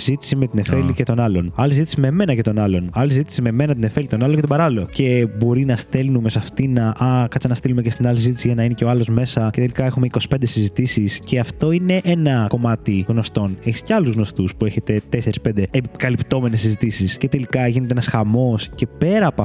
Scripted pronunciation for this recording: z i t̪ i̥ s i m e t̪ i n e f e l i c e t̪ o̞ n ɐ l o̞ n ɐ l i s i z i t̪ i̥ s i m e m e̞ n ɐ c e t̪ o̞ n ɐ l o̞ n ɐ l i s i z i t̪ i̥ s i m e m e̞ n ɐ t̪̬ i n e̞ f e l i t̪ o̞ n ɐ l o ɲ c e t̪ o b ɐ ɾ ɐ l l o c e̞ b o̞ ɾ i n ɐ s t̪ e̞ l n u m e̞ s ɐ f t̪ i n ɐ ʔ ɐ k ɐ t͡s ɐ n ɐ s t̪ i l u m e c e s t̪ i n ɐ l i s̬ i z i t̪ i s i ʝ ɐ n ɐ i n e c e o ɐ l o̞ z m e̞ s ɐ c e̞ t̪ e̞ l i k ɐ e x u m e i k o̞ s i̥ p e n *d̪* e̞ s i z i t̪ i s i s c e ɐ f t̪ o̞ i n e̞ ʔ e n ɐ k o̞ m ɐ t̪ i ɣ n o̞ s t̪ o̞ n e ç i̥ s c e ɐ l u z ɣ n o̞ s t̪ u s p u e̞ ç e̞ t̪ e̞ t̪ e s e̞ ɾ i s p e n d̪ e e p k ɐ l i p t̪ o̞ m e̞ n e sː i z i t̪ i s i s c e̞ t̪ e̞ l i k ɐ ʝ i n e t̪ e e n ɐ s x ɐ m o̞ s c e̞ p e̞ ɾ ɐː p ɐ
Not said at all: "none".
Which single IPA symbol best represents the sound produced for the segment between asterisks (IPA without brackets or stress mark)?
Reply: d̪